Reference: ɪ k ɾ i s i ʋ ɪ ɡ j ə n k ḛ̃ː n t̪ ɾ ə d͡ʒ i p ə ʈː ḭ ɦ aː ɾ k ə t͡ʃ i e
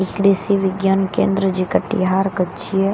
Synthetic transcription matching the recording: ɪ k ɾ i s i ʋ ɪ ɡ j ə n k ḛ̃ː n d̪ ɾ ə d͡ʒ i k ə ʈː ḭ ɦ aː ɾ k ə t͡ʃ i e